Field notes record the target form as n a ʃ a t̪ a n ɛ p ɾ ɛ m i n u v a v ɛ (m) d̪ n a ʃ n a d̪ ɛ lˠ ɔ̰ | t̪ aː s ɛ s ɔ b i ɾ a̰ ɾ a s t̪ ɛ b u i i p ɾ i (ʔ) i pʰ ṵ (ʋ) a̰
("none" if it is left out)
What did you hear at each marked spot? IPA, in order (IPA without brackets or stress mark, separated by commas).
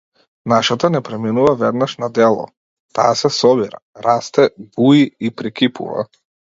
none, k, v